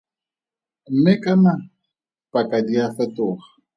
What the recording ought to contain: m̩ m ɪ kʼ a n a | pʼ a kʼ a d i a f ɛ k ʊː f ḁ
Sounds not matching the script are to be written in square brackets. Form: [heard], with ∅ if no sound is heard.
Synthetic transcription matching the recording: m̩ m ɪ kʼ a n a | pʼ a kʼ a d i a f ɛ [t] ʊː [χ] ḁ

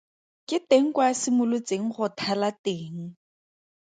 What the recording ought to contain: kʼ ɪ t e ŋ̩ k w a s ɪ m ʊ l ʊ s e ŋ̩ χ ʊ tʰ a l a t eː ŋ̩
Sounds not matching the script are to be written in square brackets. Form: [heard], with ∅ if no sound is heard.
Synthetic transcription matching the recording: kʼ ɪ t e ŋ̩ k w a s ɪ m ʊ l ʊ [t͡s] e ŋ̩ χ ʊ tʰ a l a t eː ŋ̩

